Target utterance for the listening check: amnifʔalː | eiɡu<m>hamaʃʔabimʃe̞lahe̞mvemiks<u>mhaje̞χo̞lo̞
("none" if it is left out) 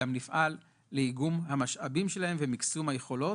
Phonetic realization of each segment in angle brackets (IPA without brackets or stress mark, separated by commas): m, u